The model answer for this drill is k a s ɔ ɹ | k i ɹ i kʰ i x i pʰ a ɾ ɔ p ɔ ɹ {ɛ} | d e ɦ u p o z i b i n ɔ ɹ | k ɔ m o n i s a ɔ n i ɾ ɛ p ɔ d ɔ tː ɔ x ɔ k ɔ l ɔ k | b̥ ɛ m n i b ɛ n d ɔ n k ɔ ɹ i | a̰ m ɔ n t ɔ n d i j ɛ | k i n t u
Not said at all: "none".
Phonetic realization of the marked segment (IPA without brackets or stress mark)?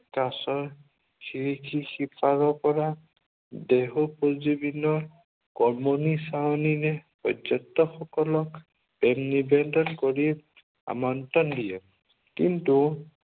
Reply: a